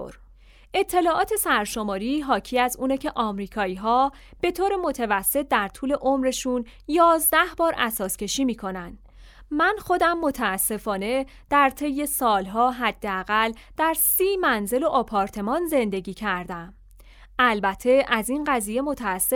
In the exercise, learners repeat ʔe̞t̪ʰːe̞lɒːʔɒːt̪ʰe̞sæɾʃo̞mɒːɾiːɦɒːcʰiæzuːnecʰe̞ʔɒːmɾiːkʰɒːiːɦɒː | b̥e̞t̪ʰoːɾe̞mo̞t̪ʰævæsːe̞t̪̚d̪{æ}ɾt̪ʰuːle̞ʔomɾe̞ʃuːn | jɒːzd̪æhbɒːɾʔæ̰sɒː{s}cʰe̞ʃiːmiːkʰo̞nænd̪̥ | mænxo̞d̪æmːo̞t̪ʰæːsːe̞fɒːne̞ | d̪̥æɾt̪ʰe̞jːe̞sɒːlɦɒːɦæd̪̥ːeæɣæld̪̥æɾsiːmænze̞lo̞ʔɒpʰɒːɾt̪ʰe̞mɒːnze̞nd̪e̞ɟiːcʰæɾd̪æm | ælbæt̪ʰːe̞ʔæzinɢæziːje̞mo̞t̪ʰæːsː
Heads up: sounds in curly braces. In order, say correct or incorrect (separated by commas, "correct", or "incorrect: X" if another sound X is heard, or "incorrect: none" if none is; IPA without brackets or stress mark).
correct, correct